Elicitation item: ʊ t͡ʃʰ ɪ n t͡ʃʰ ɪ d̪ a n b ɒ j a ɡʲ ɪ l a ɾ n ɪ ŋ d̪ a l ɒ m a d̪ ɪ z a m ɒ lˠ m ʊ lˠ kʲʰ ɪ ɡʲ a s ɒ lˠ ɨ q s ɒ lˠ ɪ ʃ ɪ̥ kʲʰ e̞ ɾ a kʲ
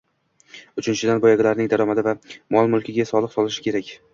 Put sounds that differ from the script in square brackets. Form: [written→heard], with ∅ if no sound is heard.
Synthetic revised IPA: ʊ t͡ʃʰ ɪ n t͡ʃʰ ɪ d̪ a n b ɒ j a ɡʲ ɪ l a ɾ n ɪ ŋ d̪ a [l→ɾ] ɒ m a d̪ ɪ [z→v] a m ɒ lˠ m ʊ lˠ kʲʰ ɪ ɡʲ a s ɒ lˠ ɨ q s ɒ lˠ ɪ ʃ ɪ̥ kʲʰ e̞ ɾ a kʲ